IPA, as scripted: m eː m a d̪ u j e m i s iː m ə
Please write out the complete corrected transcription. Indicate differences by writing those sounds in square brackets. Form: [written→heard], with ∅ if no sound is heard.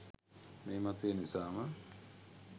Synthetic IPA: m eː m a [d̪→t̪] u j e [m→n] i s [iː→aː] m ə